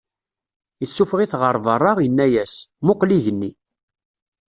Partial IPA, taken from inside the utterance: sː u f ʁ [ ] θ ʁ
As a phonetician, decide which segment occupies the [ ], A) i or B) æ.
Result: A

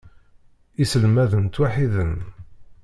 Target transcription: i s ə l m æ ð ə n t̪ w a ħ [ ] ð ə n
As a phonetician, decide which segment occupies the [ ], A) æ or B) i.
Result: B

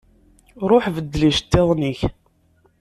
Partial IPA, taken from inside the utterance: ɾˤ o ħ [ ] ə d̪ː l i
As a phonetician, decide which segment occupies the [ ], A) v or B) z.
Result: A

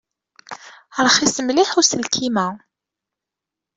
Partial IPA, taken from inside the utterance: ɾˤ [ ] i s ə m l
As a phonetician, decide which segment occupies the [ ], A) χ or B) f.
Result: A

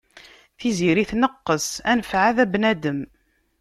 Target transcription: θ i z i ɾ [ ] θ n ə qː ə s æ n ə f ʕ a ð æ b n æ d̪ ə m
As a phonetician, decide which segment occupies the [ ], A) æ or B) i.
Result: B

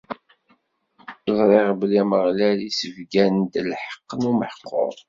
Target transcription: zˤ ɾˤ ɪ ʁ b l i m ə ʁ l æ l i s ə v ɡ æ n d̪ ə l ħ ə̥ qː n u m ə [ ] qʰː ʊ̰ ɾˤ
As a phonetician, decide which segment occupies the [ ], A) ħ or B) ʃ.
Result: A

